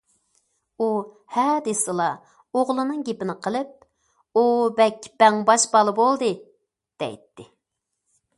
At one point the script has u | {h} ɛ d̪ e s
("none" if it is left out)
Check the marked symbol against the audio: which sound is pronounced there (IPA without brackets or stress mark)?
h